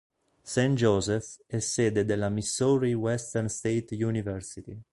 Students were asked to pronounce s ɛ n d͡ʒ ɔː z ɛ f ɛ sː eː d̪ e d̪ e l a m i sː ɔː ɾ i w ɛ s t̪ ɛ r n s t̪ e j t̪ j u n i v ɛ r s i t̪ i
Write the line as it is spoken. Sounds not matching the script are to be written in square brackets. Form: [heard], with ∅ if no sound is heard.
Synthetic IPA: s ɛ n d͡ʒ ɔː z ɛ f ɛ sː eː d̪ e d̪ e l a m i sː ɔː ɾ i w ɛ s t̪ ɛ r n s t̪ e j t̪ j u n i v ɛ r s i t̪ i